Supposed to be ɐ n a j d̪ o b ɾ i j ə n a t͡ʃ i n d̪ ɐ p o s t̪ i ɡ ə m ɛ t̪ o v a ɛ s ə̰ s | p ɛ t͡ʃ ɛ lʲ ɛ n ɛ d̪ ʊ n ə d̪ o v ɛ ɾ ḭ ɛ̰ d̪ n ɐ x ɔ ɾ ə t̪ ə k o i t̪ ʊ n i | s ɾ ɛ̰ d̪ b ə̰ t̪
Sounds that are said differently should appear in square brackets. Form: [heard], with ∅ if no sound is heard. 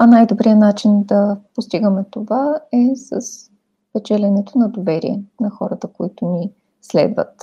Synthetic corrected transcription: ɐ n a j d̪ o b ɾ i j ə n a t͡ʃ i n d̪ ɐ p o s t̪ i ɡ ə m ɛ t̪ o v a ɛ s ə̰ s | p ɛ t͡ʃ ɛ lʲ ɛ n ɛ [t̪] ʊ n [ɐ] d̪ o v ɛ ɾ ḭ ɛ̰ [∅] n ɐ x ɔ ɾ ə t̪ ə k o i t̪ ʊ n i | s [l] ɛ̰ d̪ [v] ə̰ t̪